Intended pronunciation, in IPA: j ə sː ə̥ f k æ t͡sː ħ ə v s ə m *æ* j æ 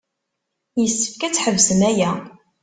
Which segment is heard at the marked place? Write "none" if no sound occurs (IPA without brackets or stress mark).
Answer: æ